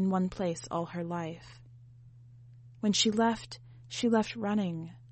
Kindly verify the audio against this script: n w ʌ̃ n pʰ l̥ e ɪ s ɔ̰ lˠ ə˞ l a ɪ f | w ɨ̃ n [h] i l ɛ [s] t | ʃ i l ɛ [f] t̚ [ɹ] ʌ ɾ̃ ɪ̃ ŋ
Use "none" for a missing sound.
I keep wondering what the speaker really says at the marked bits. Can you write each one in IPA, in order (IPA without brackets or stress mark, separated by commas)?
ʃ, f, f, ɹ